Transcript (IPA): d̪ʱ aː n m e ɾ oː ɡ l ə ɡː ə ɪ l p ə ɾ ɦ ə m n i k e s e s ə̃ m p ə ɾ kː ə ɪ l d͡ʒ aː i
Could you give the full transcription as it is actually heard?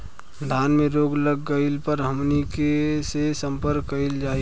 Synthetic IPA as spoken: d̪ʱ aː n m e ɾ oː ɡ l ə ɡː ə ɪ l p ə ɾ ɦ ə m n i k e s e s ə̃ m p ə ɾ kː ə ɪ l d͡ʒ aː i